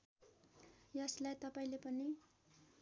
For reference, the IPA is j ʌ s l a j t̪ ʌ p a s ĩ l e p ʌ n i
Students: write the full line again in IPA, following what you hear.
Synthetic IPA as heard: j ʌ s l a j t̪ ʌ p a ĩ l e p ʌ n i